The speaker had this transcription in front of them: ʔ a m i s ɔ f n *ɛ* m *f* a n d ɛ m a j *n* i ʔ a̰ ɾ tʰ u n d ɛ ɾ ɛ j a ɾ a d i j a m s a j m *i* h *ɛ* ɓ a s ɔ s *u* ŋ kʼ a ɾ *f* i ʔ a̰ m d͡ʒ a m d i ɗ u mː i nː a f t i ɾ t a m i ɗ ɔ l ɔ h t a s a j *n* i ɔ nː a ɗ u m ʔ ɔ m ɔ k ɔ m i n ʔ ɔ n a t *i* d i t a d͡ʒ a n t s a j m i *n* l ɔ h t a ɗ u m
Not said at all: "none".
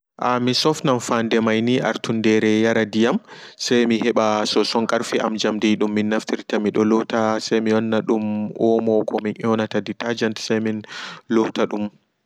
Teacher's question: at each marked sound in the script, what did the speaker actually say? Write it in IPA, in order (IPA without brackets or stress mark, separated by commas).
a, f, n, i, ɛ, ɔ, f, m, a, n